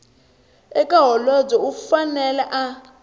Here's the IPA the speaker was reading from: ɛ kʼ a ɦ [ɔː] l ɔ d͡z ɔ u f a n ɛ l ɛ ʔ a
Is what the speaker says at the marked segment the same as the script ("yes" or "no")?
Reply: no